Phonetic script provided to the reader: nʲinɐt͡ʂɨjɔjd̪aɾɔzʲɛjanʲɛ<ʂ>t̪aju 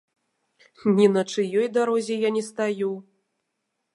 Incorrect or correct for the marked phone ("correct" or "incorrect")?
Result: incorrect